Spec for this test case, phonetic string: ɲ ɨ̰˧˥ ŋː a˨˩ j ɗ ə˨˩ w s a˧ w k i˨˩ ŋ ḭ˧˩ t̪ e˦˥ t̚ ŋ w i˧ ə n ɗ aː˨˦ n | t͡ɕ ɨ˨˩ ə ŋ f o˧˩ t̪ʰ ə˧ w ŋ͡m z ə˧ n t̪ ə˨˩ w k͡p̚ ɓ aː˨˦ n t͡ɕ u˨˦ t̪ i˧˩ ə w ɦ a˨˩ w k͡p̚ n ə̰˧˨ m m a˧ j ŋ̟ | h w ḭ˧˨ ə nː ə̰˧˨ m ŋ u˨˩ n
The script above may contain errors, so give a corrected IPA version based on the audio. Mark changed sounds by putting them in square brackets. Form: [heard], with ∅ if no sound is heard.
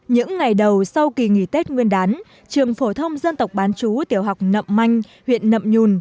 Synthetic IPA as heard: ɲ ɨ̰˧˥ ŋː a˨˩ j ɗ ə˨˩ w s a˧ w k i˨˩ ŋ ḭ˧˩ t̪ e˦˥ t̚ ŋ w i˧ ə n ɗ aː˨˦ n | t͡ɕ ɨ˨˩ ə ŋ f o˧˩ t̪ʰ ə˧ w ŋ͡m z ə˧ n t̪ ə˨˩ w k͡p̚ ɓ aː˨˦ n t͡ɕ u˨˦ t̪ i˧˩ ə w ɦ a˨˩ w k͡p̚ n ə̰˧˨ m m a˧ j ŋ̟ | h w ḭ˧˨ ə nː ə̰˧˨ m [ɲ] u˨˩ n